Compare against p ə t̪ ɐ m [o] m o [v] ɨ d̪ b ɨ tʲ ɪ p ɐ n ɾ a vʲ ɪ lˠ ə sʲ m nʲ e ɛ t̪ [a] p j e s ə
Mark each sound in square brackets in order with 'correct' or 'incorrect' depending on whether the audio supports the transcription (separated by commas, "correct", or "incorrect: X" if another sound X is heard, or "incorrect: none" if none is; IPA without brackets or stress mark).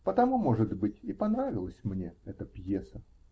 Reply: incorrect: u, incorrect: ʐ, incorrect: ə